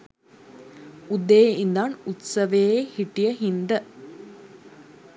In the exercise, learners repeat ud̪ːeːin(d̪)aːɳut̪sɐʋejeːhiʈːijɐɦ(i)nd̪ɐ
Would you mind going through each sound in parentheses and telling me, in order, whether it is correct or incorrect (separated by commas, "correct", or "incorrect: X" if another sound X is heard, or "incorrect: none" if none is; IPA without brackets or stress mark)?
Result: correct, correct